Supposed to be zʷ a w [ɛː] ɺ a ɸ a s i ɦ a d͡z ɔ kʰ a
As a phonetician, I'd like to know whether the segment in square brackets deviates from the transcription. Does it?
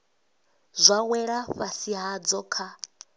yes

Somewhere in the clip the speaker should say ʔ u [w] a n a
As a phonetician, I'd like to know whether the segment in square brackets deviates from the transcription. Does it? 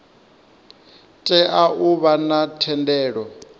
yes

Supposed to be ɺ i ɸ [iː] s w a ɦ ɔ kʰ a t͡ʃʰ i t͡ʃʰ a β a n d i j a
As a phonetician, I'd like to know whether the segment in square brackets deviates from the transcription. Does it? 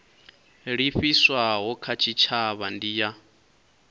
yes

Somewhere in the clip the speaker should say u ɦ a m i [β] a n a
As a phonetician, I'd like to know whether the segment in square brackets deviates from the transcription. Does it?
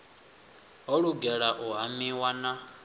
yes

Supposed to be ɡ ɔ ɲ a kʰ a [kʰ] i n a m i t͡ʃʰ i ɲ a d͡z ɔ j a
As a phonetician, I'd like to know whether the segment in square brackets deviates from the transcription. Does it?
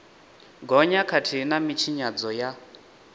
yes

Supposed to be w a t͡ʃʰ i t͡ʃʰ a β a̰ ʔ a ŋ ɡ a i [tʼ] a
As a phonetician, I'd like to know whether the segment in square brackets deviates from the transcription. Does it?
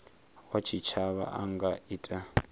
no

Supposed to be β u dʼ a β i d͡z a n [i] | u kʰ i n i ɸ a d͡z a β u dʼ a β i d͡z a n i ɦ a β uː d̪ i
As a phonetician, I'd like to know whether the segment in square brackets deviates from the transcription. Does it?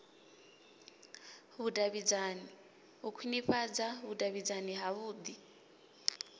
no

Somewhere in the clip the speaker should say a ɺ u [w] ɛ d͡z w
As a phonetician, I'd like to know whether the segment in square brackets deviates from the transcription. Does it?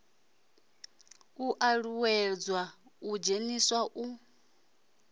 no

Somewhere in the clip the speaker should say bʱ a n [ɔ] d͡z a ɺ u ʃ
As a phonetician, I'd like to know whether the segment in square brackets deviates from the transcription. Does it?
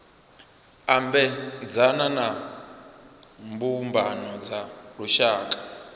no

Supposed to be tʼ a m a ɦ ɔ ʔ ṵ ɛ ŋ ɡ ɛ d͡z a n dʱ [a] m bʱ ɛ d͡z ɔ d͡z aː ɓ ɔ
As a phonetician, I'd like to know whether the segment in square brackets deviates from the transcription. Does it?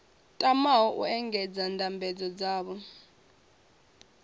no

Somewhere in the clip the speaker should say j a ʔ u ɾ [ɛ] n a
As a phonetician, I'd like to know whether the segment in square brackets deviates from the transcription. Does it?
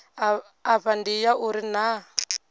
yes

